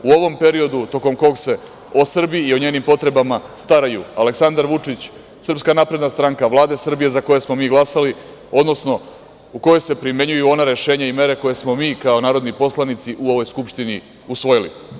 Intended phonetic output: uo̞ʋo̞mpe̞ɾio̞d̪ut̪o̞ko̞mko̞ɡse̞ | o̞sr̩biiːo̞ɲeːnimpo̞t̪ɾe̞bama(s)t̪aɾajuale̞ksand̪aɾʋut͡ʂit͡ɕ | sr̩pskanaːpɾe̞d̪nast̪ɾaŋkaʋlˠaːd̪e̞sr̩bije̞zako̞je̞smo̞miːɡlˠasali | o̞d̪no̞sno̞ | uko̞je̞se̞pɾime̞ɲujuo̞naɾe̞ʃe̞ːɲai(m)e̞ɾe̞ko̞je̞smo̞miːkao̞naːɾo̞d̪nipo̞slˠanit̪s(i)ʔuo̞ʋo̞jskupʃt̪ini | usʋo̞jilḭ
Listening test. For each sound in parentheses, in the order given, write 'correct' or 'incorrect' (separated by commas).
correct, correct, correct